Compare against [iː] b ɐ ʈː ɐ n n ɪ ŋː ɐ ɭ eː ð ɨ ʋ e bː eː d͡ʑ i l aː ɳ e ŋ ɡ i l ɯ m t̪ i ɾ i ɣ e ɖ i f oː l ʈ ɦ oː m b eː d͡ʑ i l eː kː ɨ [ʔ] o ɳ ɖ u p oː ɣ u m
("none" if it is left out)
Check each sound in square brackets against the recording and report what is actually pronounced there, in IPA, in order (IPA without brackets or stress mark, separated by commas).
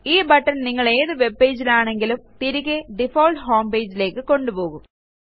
iː, k